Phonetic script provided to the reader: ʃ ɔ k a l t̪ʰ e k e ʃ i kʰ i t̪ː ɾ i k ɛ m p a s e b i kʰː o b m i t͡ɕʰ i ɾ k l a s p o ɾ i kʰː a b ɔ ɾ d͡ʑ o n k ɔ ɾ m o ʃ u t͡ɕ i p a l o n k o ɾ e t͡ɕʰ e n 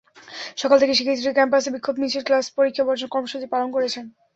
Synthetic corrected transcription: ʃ ɔ k a l t̪ʰ e k e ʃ i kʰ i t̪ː ɾ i k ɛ m p a s e b i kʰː o b m i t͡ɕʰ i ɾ k l a s p o ɾ i kʰː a b ɔ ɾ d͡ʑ o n k ɔ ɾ m o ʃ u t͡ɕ i p a l o n k o ɾ e t͡ɕʰ e n